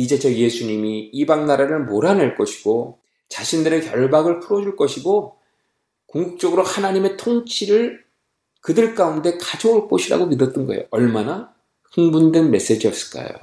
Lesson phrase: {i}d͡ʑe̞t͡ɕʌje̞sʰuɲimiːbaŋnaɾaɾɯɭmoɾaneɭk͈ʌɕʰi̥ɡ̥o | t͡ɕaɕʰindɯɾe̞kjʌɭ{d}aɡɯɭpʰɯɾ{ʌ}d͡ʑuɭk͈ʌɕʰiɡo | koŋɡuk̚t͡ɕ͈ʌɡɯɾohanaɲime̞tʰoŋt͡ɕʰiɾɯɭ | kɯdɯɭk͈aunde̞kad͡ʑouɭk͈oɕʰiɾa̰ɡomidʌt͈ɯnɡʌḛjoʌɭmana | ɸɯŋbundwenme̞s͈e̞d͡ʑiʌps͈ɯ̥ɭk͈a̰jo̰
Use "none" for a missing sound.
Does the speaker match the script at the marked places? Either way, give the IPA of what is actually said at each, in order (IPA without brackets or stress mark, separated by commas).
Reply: i, b, ʌ